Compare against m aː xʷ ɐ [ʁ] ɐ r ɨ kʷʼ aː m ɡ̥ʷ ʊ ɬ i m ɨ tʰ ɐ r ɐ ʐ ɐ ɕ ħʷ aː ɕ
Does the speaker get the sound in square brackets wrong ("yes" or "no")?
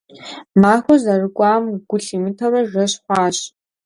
yes